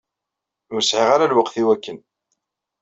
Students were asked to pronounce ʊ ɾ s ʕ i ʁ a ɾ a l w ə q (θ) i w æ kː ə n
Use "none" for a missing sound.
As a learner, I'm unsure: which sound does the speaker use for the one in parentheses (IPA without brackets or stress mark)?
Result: θ